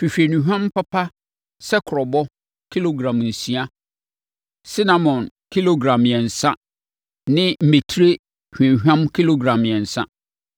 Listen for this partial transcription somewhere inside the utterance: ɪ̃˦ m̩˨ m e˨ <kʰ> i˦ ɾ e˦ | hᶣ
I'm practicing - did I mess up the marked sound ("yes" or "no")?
yes